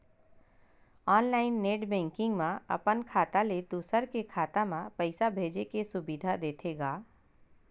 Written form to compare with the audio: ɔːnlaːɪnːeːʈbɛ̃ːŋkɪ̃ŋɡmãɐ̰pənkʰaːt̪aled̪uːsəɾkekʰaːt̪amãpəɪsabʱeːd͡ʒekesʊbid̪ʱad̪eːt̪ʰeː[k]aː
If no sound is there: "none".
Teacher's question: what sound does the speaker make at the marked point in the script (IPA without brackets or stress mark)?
ɡ